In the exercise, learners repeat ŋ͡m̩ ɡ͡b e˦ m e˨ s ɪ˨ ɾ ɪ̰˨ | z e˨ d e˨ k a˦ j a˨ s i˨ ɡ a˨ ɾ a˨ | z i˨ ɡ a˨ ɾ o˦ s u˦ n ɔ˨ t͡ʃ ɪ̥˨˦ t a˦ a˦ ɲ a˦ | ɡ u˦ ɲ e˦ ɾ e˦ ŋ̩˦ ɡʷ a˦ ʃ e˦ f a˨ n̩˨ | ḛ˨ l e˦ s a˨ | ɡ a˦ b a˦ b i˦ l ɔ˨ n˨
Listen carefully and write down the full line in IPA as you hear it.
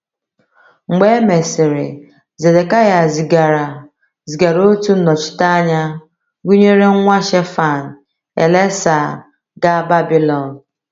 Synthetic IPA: ŋ͡m̩ ɡ͡b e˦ m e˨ s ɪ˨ ɾ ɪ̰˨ | z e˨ d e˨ k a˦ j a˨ z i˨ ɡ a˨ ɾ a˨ | z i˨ ɡ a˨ ɾ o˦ t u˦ n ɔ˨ t͡ʃ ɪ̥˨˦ t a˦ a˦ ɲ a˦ | ɡ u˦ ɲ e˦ ɾ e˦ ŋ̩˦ ŋʷ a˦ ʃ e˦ f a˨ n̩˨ | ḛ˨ l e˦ s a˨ | ɡ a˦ b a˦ b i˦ l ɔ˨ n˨